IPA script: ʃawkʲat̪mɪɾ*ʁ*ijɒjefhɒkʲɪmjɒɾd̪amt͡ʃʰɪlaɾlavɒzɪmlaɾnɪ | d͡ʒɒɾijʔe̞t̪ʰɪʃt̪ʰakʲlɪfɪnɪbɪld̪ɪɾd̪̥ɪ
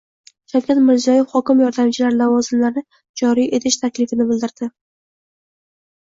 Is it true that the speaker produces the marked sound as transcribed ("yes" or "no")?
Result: no